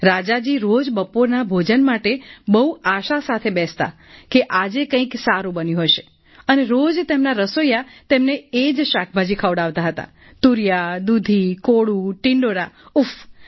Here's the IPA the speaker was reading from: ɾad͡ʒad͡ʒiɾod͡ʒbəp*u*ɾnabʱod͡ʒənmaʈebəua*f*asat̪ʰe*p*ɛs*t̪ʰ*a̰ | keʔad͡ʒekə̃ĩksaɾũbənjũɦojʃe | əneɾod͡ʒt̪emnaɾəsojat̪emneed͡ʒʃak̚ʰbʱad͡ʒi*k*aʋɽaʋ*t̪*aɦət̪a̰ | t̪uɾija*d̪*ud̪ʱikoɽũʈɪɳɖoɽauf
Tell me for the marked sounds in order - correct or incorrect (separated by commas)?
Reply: incorrect, incorrect, incorrect, incorrect, incorrect, correct, correct